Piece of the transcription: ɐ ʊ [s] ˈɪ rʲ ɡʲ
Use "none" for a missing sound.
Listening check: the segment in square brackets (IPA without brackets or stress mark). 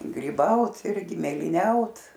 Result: t